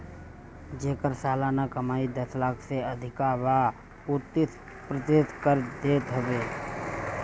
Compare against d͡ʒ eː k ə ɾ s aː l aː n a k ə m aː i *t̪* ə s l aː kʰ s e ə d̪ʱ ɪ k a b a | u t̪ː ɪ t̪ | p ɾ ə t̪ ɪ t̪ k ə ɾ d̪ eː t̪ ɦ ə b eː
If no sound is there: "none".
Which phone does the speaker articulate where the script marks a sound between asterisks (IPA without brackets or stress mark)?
d̪